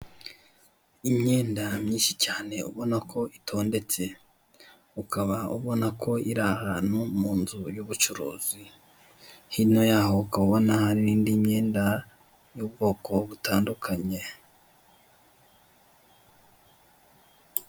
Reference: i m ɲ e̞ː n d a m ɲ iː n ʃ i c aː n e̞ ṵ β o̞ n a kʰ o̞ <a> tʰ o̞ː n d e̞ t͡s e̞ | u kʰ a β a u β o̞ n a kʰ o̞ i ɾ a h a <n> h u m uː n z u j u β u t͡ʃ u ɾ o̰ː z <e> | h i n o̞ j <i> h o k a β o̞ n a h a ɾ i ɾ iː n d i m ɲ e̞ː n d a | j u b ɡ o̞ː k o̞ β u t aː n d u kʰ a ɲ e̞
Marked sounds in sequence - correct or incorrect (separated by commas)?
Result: incorrect, correct, incorrect, incorrect